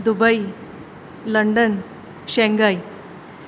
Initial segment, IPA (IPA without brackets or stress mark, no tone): d̪